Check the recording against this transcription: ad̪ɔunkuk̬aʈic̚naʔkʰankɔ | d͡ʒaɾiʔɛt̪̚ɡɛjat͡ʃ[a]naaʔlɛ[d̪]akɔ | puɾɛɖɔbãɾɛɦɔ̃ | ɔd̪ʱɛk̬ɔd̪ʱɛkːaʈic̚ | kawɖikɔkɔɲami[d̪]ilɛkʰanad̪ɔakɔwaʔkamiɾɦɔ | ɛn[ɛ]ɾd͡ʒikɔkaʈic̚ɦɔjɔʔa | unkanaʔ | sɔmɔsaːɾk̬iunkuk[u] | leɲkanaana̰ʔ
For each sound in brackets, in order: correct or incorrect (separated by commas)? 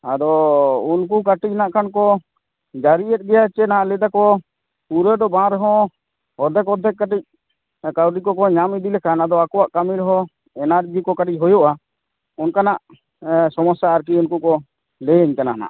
incorrect, correct, correct, incorrect, incorrect